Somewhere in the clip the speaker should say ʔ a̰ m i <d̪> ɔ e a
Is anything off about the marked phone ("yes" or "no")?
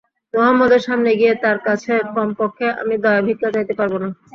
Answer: no